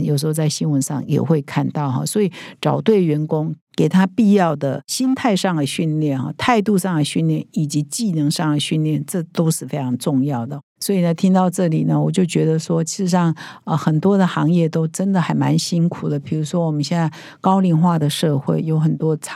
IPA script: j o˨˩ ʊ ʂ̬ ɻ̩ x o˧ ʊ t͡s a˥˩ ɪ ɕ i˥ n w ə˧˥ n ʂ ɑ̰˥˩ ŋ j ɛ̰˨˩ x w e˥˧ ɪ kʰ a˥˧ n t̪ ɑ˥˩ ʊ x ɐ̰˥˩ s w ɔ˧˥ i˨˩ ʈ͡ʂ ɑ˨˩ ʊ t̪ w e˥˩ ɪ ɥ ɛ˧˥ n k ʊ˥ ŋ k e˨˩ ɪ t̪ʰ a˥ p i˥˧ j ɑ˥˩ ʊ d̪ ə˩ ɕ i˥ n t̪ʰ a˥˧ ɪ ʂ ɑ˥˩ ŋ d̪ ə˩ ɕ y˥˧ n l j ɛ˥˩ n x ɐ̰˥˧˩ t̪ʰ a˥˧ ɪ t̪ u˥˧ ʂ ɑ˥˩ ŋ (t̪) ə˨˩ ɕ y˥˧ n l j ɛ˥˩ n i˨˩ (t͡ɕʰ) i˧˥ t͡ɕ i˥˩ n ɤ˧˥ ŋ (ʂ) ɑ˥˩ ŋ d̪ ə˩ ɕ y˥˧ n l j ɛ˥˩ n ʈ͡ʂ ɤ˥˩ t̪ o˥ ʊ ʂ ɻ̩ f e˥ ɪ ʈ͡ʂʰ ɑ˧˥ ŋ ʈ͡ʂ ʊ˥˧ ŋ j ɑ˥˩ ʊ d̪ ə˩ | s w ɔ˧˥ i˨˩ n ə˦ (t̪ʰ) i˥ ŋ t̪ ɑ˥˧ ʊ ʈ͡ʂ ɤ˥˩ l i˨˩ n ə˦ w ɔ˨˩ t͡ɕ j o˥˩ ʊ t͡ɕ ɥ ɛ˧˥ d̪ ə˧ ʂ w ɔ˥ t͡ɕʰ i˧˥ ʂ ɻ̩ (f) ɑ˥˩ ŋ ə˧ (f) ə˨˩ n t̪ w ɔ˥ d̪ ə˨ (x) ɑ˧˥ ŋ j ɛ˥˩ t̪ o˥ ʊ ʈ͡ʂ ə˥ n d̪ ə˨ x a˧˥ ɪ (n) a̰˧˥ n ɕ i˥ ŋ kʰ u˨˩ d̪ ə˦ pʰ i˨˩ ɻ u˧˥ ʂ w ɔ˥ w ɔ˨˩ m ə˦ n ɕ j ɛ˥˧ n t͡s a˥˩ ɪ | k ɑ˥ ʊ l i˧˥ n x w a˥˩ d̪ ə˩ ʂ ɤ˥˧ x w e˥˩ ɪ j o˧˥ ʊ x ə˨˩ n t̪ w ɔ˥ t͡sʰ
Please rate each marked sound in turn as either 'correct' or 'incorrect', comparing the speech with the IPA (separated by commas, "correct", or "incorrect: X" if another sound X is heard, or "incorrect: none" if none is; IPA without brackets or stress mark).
incorrect: d̪, incorrect: t͡ɕ, correct, correct, incorrect: ʂ, incorrect: x, correct, incorrect: m